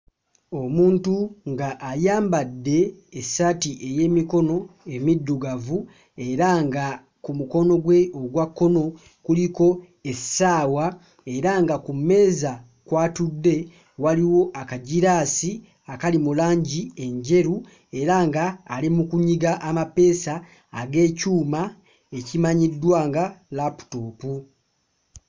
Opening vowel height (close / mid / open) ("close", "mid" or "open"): mid